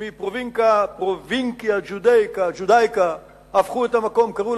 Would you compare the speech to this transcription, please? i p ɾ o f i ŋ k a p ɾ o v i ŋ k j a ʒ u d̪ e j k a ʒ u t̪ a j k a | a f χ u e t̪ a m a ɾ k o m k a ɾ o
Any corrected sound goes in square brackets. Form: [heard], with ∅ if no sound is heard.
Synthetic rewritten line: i p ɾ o [v] i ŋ k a p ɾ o v i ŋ k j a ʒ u d̪ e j k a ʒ u [d̪] a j k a | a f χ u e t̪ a m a [∅] k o m k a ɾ [u]